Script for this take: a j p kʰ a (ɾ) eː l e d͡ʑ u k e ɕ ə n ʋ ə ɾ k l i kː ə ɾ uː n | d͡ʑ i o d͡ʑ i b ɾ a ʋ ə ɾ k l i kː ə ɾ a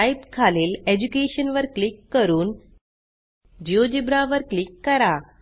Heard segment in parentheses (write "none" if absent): l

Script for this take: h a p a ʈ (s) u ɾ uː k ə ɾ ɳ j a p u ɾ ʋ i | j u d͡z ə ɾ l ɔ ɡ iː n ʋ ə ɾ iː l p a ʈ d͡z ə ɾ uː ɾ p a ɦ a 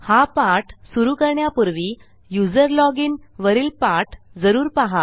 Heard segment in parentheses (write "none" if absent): s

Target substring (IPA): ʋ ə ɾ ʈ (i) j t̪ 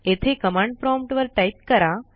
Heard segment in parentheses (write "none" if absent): a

